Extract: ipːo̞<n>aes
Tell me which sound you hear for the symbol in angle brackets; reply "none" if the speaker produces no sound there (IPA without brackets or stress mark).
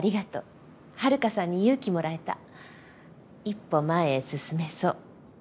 m